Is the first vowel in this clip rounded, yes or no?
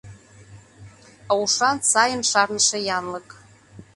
no